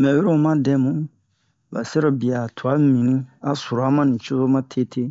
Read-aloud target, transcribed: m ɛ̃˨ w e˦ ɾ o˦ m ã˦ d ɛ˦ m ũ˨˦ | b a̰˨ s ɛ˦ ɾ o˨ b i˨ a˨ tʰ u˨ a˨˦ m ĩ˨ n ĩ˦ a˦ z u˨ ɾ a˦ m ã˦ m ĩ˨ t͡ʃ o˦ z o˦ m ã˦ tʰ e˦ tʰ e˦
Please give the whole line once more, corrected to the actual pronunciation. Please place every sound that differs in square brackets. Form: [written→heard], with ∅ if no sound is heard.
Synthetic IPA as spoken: m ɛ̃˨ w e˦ ɾ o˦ m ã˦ d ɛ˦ m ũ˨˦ | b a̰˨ s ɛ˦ ɾ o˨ b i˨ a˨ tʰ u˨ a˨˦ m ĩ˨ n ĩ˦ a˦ [z→s] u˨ ɾ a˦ m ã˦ [m→n] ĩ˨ t͡ʃ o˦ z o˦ m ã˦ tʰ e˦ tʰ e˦